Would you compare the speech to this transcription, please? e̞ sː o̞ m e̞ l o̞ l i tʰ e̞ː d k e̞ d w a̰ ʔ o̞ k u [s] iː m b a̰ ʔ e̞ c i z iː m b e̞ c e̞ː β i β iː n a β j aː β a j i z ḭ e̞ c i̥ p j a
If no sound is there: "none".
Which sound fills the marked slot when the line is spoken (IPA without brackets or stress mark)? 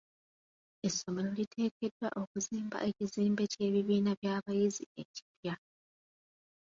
z